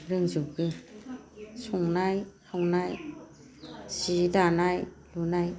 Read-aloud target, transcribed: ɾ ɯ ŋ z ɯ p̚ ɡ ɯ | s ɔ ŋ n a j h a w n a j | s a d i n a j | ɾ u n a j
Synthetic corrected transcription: ɾ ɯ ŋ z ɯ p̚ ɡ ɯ | s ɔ ŋ n a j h a w n a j | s i d a n a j | l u n a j